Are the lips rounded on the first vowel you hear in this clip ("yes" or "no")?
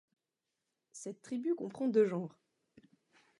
no